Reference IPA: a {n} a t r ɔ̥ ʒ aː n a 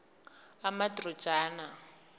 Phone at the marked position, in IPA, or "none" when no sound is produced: m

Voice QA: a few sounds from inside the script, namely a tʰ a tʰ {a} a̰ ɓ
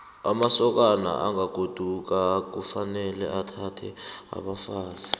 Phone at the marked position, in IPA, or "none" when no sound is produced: ɛ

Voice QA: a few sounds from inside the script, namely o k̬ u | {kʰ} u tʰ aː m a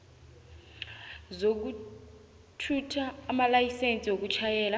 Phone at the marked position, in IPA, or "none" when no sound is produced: tʰ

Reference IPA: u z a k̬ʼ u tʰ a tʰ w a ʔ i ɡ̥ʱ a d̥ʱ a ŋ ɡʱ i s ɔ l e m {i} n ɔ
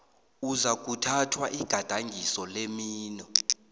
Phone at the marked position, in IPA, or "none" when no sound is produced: iː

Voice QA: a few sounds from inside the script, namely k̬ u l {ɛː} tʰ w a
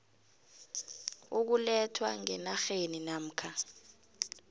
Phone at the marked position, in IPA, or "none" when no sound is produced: ɛ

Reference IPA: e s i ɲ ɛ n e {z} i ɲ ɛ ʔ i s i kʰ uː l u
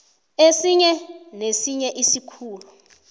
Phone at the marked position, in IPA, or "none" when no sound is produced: s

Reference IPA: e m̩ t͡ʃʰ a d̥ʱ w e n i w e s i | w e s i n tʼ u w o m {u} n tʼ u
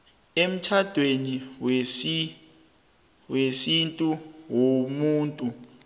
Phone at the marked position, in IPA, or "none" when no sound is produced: uː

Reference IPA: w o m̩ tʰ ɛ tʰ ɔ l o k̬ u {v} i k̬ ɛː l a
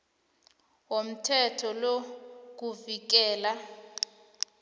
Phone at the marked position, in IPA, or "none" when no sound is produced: v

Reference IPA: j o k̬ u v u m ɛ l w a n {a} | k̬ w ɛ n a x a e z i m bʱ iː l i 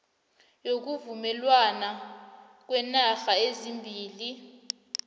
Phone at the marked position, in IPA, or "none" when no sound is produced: a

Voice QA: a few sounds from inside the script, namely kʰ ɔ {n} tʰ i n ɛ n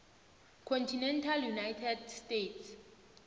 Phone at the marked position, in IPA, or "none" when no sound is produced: n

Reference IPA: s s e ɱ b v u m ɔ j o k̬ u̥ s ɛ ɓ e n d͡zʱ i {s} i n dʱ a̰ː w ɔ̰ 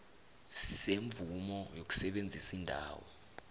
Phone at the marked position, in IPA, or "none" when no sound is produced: s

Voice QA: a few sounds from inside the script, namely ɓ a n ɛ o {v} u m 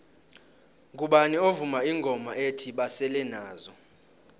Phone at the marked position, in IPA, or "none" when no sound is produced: v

